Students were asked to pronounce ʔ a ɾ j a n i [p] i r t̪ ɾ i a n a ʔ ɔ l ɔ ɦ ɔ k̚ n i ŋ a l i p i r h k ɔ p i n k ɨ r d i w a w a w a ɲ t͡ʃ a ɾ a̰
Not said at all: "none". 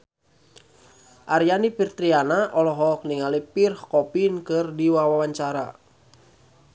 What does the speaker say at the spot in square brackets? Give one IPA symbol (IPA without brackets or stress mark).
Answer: p